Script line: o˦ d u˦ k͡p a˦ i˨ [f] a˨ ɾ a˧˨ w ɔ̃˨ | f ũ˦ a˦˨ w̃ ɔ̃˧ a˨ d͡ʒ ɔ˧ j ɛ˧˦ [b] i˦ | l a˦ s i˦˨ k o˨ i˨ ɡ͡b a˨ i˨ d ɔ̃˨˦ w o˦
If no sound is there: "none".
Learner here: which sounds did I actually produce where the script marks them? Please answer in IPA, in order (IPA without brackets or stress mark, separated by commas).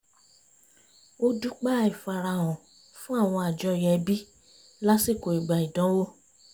f, b